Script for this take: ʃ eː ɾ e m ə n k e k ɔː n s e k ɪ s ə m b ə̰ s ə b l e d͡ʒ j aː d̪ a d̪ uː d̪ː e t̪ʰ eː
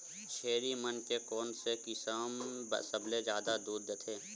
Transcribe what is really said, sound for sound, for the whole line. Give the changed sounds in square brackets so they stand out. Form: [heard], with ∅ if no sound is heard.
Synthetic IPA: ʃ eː ɾ [i] m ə n k e k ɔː n s e k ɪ s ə m b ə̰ s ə b l e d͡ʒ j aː d̪ a d̪ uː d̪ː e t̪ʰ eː